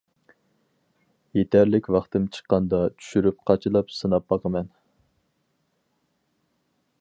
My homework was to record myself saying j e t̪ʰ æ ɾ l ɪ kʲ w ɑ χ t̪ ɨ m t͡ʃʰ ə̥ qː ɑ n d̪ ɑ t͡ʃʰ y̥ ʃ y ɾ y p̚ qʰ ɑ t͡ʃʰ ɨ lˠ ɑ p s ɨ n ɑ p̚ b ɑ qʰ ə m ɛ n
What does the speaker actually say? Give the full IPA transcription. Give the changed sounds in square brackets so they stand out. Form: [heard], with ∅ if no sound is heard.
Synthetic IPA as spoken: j e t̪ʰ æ ɾ l ɪ kʲ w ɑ χ t̪ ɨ m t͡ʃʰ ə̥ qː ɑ n d̪ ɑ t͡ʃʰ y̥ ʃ y ɾ y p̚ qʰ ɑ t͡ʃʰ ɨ lˠ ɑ p s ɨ n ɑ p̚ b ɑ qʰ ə m ɛ n